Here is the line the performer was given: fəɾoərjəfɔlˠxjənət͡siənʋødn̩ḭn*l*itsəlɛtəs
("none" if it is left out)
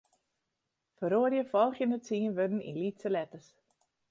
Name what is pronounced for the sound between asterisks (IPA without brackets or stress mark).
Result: l